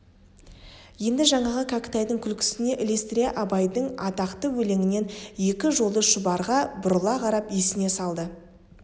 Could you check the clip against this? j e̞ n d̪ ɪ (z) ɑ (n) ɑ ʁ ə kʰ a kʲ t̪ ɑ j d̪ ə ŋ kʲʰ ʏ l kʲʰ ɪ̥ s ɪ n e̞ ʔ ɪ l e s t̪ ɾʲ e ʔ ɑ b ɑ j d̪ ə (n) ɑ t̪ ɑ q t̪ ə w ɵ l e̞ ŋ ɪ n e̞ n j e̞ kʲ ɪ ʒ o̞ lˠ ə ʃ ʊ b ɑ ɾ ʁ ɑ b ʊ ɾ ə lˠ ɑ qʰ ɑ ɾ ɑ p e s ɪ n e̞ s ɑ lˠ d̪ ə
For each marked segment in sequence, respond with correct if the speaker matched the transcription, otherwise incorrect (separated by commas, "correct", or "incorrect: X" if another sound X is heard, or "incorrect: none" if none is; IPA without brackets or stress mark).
incorrect: ʒ, incorrect: ɴ, incorrect: ɴ